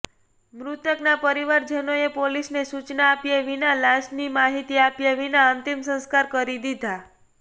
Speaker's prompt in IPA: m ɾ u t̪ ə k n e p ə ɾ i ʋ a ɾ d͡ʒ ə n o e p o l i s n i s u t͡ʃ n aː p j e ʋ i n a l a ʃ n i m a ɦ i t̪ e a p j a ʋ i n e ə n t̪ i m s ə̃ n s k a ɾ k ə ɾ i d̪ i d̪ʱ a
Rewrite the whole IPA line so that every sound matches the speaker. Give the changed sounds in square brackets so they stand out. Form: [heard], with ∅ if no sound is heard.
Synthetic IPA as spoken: m ɾ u t̪ ə k n [a] p ə ɾ i ʋ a ɾ d͡ʒ ə n o e p o l i s n [e] s u t͡ʃ n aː p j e ʋ i n a l a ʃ n i m a ɦ i t̪ [i] a p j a ʋ i n [a] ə n t̪ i m s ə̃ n s k a ɾ k ə ɾ i d̪ i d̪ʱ a